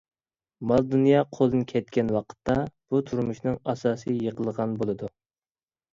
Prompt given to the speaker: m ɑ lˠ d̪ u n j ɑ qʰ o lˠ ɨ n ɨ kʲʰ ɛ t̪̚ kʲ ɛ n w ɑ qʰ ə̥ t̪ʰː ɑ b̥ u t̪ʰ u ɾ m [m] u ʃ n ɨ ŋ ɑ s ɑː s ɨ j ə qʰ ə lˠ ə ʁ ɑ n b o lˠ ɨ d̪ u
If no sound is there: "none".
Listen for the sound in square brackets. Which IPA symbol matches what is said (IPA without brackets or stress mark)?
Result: m